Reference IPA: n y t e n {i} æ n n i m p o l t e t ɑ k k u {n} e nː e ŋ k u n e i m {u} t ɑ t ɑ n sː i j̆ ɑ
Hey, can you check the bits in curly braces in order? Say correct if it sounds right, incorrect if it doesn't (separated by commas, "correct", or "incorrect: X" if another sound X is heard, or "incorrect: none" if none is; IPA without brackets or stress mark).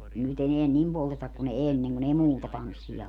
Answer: incorrect: e, correct, incorrect: uː